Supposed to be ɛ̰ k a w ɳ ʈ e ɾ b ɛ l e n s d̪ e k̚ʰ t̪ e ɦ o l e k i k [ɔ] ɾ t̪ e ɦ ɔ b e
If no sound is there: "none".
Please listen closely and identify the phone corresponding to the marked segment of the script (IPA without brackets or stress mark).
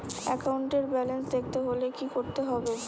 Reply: o